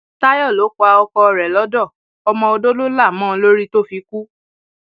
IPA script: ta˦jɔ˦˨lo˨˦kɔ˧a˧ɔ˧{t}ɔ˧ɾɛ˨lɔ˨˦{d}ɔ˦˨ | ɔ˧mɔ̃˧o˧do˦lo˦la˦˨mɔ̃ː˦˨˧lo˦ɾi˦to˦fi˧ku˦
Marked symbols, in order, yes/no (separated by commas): no, yes